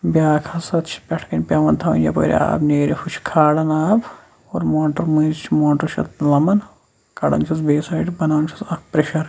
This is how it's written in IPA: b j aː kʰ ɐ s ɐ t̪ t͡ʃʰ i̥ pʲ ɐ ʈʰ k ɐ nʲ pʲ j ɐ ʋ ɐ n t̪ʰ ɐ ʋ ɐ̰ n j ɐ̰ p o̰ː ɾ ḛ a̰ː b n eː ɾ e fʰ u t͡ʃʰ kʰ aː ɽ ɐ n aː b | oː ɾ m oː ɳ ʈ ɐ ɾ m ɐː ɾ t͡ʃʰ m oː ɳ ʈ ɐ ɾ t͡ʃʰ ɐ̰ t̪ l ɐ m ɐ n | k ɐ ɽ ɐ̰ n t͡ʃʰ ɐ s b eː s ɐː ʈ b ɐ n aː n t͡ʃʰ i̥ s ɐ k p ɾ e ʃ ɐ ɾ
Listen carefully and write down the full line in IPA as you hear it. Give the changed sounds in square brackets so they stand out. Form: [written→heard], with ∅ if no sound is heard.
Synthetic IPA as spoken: b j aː kʰ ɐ s ɐ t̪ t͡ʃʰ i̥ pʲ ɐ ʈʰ k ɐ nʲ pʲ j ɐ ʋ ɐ n t̪ʰ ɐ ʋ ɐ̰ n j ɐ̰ p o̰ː ɾ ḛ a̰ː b n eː ɾ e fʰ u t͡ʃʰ kʰ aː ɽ ɐ n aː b | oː ɾ m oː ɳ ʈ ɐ ɾ m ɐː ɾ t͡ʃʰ m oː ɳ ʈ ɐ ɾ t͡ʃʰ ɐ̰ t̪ l ɐ m ɐ n | k ɐ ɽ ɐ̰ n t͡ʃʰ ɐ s b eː s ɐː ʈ b ɐ n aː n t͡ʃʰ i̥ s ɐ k p ɾ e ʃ ɐ ɾ